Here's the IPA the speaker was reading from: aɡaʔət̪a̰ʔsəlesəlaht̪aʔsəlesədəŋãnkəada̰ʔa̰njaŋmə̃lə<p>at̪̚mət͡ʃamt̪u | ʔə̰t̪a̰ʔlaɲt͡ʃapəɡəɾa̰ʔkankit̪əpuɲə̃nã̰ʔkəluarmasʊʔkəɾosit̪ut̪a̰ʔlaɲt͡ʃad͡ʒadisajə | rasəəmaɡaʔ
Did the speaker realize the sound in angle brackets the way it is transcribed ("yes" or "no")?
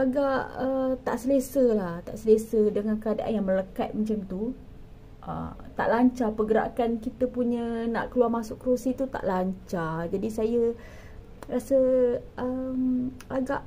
no